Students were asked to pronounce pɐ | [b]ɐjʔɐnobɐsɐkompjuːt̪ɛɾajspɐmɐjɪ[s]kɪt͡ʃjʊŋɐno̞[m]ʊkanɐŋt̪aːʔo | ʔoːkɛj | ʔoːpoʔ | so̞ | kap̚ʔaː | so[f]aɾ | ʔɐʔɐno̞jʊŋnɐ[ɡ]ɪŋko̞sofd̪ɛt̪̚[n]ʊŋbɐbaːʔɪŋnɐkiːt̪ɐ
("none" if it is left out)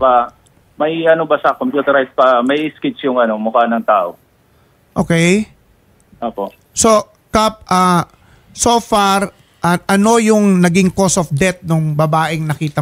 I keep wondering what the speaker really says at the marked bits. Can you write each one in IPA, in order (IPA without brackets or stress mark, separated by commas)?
m, s, m, f, ɡ, n